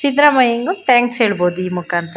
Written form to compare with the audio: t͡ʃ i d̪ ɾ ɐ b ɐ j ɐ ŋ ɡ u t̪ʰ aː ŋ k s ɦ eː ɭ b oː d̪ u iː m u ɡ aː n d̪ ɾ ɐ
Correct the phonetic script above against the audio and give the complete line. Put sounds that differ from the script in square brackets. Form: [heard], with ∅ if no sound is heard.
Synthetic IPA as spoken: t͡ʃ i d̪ ɾ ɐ [m] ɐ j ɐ ŋ ɡ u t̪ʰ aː ŋ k s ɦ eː ɭ b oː d̪ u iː m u [k] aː n [t̪] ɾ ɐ